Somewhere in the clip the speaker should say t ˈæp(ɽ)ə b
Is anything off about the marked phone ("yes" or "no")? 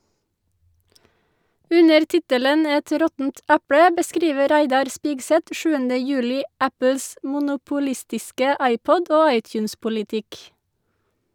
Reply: no